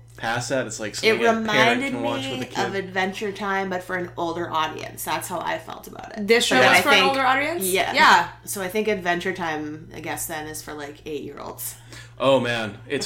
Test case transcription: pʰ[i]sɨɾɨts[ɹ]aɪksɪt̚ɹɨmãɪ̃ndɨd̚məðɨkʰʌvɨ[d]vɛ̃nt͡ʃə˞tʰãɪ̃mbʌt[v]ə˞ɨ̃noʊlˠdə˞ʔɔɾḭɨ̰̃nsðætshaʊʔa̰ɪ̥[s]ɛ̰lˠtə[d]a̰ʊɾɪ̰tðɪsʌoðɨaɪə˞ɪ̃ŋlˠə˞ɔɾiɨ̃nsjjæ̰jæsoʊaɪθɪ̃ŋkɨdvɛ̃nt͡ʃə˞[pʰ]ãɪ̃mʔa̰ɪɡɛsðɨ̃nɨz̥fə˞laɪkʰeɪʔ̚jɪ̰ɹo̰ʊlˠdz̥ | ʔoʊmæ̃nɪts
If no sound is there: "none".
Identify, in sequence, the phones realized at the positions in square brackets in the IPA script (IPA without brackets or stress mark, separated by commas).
æ, l, d, f, f, b, tʰ